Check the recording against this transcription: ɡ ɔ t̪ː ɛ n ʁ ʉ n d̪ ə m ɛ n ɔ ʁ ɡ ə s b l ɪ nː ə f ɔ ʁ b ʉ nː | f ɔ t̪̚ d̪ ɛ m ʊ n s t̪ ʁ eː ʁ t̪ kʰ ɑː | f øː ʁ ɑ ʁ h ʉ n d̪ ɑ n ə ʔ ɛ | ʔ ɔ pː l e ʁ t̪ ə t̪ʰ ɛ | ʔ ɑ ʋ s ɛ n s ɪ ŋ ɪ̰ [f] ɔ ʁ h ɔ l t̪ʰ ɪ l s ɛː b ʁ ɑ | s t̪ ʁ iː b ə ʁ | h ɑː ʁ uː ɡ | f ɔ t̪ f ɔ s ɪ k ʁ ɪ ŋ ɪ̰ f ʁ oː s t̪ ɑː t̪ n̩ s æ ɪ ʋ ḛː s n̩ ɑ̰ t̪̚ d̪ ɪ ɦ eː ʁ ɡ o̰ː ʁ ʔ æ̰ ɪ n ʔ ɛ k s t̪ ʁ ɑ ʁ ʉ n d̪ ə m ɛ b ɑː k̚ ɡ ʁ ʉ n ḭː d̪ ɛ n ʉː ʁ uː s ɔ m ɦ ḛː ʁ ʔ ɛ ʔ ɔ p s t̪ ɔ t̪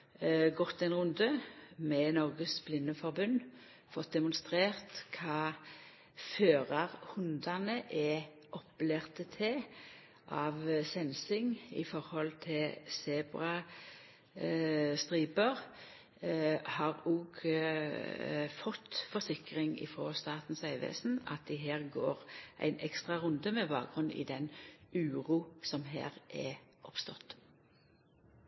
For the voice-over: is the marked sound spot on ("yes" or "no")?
yes